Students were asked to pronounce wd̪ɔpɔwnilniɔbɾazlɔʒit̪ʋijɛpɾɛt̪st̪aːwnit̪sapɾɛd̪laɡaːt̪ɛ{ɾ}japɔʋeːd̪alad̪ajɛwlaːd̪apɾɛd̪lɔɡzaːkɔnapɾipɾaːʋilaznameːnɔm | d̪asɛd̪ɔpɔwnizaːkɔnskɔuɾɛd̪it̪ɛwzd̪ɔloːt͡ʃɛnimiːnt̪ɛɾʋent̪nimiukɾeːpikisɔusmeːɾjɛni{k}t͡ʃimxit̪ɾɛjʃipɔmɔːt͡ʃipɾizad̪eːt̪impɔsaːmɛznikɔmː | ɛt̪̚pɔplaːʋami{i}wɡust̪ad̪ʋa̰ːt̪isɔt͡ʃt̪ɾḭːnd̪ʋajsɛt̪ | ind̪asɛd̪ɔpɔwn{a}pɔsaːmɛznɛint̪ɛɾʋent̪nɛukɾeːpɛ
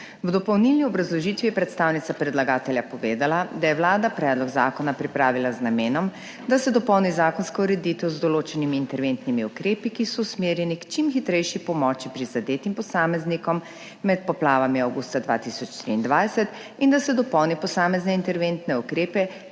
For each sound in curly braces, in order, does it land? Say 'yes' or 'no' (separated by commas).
no, yes, no, no